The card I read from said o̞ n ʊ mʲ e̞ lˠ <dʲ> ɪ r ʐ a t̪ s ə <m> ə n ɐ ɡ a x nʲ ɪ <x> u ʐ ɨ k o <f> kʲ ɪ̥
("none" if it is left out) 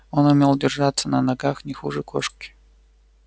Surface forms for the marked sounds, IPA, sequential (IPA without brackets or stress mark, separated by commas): dʲ, n, x, ʂ